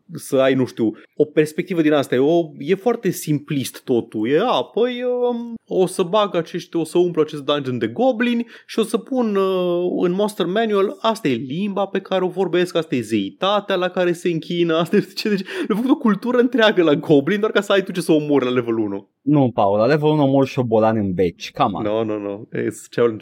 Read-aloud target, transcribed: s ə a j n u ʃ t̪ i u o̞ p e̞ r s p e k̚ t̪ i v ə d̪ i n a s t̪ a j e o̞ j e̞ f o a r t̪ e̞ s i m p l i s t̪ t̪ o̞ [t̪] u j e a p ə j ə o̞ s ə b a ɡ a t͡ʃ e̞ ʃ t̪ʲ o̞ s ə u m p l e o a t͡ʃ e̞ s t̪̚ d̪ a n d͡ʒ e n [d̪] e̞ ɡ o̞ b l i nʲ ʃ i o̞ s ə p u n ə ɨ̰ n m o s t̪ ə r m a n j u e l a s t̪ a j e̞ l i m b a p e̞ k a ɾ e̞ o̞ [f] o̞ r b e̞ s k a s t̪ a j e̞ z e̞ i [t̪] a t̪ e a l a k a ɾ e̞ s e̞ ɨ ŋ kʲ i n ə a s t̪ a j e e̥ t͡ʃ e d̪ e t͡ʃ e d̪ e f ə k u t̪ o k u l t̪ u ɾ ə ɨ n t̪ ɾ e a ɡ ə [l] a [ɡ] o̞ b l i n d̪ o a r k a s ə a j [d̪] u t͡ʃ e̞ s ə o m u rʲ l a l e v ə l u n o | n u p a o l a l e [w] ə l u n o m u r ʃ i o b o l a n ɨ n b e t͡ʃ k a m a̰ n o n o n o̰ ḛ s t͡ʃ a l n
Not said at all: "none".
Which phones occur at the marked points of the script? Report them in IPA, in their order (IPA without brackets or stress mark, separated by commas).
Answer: t̪, d̪, v, t̪, l, ɡ, t̪, v